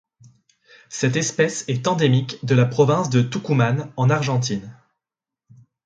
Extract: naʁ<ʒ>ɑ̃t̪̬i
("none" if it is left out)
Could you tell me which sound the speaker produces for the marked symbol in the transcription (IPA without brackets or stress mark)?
ʒ